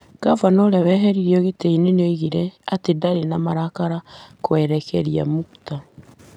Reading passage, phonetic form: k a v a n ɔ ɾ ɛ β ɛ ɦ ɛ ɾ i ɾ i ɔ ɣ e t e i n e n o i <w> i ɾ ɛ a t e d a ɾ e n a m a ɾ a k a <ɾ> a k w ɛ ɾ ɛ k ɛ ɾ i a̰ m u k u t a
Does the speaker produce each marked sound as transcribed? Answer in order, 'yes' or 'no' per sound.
no, yes

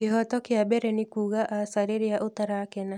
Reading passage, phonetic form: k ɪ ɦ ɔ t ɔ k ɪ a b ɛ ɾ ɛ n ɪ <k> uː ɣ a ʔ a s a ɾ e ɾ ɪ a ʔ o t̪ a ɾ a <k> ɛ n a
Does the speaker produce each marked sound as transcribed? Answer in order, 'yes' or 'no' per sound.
yes, yes

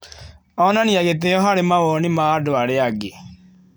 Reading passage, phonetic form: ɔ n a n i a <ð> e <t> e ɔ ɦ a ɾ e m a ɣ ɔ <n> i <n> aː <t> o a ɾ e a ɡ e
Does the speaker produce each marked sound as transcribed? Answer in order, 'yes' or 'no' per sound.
no, yes, yes, no, no

